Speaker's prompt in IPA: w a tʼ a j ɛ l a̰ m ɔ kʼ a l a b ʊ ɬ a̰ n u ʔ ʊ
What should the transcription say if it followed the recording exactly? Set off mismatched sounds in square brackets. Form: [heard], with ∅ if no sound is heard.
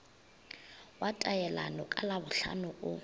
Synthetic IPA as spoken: w a tʼ a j ɛ l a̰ [n] ɔ kʼ a l a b ʊ ɬ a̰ n [ʊ] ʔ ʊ